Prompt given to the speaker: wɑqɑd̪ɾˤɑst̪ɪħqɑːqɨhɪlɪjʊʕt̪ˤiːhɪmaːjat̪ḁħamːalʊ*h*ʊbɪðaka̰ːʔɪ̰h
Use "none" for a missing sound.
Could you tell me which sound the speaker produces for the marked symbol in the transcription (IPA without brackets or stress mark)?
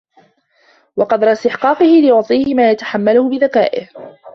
h